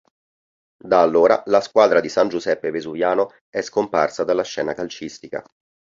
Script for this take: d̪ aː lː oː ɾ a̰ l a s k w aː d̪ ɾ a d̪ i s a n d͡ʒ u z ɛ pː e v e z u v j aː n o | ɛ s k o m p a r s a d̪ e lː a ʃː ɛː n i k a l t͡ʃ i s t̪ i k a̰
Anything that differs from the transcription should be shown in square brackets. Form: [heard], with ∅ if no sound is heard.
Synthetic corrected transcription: d̪ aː lː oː ɾ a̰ l a s k w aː d̪ ɾ a d̪ i s a n d͡ʒ u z ɛ pː e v e z u v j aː n o | ɛ s k o m p a r s a d̪ [a] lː a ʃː ɛː n [a] k a l t͡ʃ i s t̪ i k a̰

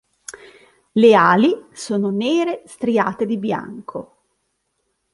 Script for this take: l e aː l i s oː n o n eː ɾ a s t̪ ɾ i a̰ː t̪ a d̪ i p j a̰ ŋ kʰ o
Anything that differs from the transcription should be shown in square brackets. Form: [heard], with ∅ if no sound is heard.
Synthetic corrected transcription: l e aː l i s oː n o n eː ɾ [e] s t̪ ɾ i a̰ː t̪ [e] d̪ i [b] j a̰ ŋ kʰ o

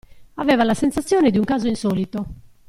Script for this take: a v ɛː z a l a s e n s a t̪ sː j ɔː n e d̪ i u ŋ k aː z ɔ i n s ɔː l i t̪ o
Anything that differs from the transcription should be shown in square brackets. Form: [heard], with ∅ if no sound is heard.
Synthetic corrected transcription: a v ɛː [v] a l a s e n s a t̪ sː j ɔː n e d̪ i u ŋ k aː z [o] i n s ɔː l i t̪ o

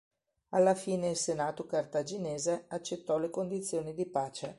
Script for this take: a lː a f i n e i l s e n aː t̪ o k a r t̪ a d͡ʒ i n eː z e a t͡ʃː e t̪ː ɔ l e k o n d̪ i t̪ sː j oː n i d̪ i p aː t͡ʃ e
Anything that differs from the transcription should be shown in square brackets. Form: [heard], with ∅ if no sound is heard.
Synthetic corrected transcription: a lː a f [iː] n e i l s e n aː t̪ o k a r t̪ a d͡ʒ i n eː z e a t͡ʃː e t̪ː ɔ l e k o n d̪ i t̪ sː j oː n i d̪ i p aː t͡ʃ e

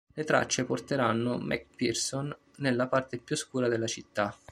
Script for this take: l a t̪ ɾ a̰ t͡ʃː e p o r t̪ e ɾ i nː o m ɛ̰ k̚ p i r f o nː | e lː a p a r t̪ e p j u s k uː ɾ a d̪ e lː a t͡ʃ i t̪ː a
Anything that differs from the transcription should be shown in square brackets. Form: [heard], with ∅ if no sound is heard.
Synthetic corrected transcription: l [e] t̪ ɾ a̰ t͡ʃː e p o r t̪ e ɾ [a] nː o m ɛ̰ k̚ p i r [s] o nː | e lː a p a r t̪ e p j u s k uː ɾ a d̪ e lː a t͡ʃ i t̪ː a

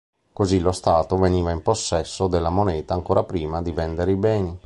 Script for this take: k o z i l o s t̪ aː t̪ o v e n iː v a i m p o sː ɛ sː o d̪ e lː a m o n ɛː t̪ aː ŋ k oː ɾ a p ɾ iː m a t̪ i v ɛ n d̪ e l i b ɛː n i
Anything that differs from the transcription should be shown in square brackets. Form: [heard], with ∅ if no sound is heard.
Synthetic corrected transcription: k o z i l o s t̪ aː t̪ o v e n iː v a i m p o sː ɛ sː o d̪ e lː a m o n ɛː t̪ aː ŋ k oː ɾ a p ɾ iː m a [d̪] i v ɛ n d̪ e [ɾ] i b ɛː n i

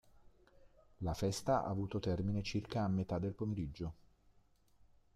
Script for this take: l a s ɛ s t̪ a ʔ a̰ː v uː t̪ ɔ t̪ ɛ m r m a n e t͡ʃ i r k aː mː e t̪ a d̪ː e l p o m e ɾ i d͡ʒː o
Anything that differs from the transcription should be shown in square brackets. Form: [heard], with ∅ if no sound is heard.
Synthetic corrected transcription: l a [f] ɛ s t̪ a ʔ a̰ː v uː t̪ [o] t̪ ɛ [∅] r m [i] n e t͡ʃ i r k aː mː e t̪ a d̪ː e l p o m e ɾ i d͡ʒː o

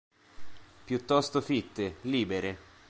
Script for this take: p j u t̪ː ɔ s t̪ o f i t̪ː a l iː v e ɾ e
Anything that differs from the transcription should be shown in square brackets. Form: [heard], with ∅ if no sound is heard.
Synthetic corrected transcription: p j u t̪ː ɔ s t̪ o f i t̪ː [e] l iː [b] e ɾ e

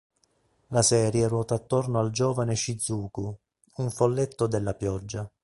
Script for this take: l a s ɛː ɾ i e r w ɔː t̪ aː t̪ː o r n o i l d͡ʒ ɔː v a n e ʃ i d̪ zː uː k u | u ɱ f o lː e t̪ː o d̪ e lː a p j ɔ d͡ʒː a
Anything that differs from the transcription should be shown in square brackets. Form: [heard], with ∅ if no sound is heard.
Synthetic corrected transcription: l a s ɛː ɾ [j] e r w ɔː t̪ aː t̪ː o r n o [a] l d͡ʒ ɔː v a n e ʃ i d̪ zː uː k u | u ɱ f o lː e t̪ː o d̪ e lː a p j ɔ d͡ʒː a

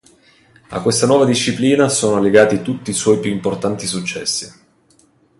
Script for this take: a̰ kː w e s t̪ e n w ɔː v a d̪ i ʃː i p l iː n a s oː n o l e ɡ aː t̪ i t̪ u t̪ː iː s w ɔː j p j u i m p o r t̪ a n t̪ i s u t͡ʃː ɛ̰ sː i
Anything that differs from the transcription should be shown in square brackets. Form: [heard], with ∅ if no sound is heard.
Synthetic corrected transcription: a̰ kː w e s t̪ [a] n w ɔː v a d̪ i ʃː i p l iː n a s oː n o l e ɡ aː t̪ i t̪ u t̪ː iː s w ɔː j p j u i m p o r t̪ a n t̪ i s u t͡ʃː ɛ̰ sː i

